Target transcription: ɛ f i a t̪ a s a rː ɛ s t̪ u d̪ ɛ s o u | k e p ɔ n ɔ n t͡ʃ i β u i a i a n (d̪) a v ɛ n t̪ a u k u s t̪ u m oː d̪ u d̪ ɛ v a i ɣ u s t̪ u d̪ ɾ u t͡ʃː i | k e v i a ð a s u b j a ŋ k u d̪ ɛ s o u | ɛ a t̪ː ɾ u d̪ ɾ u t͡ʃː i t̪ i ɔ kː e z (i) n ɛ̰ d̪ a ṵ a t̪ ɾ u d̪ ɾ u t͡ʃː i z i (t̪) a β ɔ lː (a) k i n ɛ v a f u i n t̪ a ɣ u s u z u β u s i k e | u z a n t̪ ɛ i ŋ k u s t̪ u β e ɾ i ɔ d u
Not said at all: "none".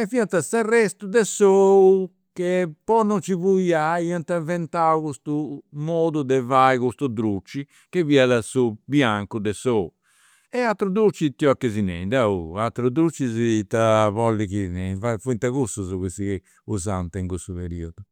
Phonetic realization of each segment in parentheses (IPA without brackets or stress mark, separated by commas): t̪, i, t̪, i